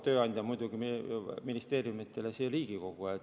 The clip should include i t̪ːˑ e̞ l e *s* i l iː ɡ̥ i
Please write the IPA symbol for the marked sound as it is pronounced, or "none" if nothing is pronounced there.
s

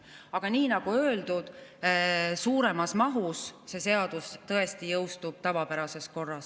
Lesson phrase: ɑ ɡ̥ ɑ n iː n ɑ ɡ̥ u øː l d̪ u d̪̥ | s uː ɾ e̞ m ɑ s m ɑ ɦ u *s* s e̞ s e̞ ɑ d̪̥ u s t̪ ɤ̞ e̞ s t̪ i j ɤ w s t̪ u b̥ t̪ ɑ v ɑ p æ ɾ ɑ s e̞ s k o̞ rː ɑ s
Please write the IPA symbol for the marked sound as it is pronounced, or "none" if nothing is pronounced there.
s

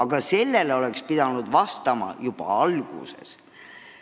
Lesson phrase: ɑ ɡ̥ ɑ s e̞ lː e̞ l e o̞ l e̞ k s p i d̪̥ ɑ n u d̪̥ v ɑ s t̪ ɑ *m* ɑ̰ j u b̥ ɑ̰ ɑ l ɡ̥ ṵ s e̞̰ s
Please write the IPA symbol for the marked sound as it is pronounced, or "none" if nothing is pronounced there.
m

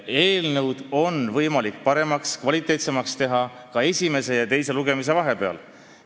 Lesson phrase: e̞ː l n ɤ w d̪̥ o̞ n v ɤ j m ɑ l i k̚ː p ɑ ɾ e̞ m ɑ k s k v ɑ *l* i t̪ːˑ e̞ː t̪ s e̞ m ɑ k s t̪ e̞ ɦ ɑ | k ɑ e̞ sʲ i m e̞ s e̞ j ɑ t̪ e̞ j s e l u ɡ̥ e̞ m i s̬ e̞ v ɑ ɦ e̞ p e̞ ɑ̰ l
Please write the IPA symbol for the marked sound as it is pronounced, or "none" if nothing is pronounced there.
l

